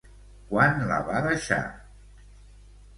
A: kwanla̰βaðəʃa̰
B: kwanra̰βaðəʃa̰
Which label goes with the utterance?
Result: A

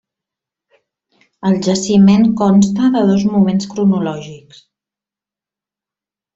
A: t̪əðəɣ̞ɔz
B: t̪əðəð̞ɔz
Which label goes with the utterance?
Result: B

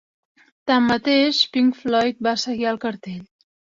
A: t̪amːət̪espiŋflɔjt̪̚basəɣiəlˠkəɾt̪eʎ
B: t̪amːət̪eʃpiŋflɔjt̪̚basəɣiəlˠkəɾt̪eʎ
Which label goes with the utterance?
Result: B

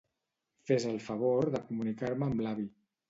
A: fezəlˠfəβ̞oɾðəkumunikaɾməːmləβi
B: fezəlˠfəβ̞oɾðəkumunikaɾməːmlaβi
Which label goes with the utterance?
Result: B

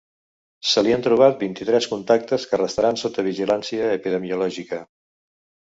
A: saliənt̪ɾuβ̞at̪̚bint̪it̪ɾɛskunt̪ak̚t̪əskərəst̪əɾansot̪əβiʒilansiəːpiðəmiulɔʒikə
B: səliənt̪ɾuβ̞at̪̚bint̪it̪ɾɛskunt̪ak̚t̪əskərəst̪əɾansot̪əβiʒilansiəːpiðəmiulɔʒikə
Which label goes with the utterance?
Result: B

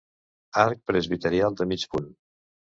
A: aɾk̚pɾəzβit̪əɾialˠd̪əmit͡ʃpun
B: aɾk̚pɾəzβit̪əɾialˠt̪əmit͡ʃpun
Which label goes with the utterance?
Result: A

